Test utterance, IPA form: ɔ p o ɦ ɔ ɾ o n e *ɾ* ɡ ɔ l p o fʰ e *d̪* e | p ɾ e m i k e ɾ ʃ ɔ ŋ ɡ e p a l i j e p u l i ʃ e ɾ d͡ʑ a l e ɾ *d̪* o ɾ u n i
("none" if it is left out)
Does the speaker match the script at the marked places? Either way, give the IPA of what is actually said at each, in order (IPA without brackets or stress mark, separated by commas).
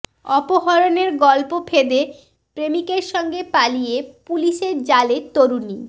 ɾ, d̪, t̪